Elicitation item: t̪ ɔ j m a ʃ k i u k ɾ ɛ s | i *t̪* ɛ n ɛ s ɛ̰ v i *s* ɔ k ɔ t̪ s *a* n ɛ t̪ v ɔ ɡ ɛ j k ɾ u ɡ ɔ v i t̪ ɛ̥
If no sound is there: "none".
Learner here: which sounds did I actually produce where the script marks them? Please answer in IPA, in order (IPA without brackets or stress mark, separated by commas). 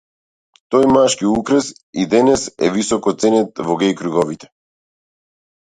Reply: d̪, s, ɛ